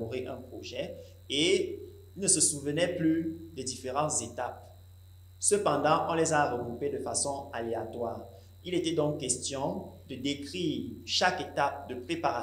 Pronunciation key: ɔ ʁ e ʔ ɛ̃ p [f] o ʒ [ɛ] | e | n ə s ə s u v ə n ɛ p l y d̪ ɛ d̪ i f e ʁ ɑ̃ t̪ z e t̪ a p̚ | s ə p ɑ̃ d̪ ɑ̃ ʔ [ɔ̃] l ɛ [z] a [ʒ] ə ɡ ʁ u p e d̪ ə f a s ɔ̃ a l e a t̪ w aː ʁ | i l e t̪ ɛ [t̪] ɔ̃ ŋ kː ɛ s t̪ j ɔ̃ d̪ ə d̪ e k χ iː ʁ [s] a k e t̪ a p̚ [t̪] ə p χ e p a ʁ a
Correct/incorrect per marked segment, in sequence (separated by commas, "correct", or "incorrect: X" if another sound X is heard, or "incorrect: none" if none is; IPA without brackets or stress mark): incorrect: χ, correct, correct, correct, incorrect: ʁ, incorrect: d̪, incorrect: ʃ, incorrect: d̪